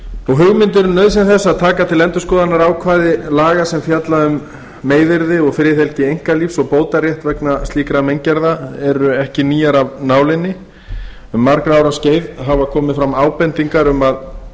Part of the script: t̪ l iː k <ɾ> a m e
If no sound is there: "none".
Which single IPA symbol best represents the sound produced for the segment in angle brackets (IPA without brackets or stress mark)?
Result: ɾ